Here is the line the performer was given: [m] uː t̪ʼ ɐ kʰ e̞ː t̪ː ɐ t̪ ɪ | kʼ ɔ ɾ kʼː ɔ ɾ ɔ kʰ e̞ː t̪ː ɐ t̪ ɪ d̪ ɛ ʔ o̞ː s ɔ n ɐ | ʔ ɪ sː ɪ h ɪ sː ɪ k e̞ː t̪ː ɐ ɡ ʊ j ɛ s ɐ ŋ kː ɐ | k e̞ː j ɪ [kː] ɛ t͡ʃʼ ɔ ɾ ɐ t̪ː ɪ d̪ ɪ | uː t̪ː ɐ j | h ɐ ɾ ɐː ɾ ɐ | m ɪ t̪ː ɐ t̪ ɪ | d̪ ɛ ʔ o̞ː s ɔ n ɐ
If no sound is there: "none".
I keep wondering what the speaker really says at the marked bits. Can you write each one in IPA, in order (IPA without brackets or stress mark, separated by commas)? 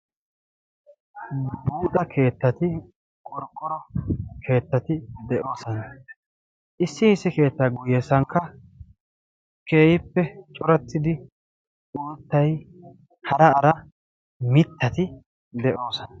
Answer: b, pː